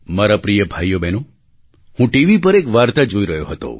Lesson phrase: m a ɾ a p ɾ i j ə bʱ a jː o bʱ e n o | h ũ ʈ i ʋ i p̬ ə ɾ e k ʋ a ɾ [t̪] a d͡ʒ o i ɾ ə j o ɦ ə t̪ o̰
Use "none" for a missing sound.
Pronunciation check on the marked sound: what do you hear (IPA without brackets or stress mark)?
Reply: t̪